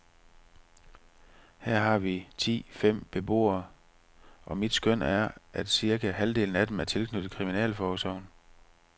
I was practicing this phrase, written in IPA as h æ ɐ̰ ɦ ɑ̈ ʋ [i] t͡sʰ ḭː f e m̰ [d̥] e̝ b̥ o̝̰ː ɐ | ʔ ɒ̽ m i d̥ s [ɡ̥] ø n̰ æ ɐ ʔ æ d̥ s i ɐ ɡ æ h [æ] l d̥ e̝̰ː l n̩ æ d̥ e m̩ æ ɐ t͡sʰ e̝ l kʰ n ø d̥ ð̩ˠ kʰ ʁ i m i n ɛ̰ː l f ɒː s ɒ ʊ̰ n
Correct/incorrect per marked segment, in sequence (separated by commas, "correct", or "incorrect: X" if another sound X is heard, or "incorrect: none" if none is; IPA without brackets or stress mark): correct, incorrect: b̥, correct, correct